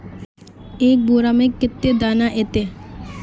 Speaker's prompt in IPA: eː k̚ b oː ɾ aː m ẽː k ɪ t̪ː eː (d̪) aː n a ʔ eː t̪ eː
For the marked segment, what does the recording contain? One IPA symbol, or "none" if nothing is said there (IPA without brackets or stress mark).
d̪